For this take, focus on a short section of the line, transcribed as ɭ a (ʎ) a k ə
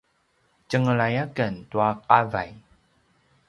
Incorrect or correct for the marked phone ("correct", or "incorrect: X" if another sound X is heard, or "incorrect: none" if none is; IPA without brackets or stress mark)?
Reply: incorrect: j